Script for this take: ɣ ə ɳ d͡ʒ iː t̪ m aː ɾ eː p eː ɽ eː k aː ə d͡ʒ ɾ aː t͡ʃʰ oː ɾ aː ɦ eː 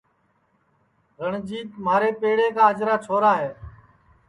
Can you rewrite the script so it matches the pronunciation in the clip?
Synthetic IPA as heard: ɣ ə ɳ d͡ʒ iː t̪ m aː ɾ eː p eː ɽ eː k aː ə d͡ʒ ɾ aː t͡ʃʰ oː ɾ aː ɦ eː